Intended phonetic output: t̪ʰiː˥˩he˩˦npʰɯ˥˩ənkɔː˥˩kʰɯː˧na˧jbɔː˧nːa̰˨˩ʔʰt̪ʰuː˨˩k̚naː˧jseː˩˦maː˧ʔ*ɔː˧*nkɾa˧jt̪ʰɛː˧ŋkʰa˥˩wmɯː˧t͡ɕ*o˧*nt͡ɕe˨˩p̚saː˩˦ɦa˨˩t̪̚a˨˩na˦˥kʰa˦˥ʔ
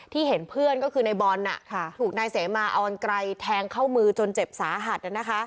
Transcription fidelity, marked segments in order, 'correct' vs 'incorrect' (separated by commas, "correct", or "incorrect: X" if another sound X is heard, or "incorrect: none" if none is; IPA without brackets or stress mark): correct, correct